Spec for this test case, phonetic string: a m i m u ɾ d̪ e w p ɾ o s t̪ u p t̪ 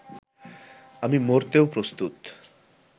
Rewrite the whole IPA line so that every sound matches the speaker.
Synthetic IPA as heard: a m i m o ɾ t̪ e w p ɾ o s t̪ u t̪